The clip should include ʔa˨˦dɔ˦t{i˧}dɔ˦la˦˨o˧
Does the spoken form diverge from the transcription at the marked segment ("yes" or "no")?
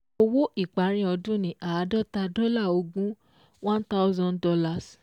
yes